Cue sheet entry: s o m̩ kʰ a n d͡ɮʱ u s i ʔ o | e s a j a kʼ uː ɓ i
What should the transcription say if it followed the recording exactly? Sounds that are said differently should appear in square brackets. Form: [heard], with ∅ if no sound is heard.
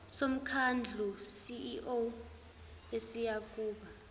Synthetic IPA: s o m̩ kʰ a n d͡ɮʱ u s i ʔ o | e s [i] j a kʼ uː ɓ [a]